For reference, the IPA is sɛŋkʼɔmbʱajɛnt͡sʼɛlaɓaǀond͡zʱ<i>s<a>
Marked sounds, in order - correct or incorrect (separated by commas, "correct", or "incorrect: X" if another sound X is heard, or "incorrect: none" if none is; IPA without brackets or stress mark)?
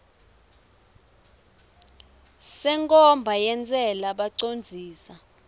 incorrect: iː, correct